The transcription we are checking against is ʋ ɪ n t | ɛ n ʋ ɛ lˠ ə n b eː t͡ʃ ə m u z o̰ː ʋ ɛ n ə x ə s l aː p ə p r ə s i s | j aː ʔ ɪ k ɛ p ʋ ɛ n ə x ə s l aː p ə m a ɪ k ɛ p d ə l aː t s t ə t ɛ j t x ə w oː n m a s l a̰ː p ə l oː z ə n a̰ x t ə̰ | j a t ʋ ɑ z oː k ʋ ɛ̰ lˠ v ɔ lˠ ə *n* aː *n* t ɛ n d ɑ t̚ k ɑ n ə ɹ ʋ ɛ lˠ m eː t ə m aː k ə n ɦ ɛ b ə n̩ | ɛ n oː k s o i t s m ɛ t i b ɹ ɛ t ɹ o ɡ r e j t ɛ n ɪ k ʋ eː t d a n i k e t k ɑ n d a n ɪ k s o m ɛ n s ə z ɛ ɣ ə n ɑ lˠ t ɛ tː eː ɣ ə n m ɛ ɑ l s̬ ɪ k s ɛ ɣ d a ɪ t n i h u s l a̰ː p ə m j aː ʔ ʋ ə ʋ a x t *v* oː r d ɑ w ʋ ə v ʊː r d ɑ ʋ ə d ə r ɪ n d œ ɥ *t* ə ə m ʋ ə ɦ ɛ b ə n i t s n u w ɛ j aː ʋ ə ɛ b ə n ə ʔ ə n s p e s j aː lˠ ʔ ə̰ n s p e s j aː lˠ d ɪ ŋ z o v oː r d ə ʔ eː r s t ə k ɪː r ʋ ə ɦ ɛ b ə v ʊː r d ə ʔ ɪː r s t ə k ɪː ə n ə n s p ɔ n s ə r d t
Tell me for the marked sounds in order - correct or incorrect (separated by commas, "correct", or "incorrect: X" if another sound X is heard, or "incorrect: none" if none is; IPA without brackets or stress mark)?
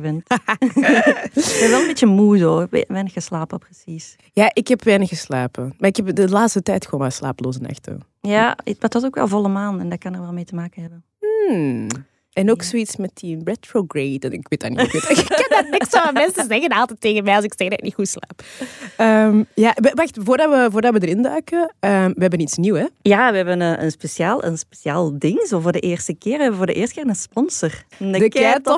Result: incorrect: m, correct, correct, incorrect: k